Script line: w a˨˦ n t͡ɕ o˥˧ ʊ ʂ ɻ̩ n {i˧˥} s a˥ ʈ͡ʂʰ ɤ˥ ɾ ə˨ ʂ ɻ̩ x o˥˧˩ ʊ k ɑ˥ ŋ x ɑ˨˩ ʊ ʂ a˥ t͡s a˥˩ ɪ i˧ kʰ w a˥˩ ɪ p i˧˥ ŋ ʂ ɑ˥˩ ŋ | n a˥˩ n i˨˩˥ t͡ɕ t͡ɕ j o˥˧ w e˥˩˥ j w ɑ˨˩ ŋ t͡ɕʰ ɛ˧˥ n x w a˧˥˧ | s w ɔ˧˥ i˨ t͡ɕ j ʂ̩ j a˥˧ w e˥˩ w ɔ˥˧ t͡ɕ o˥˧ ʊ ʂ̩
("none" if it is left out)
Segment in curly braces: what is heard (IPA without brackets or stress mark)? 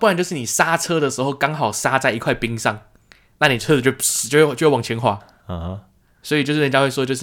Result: i˨˩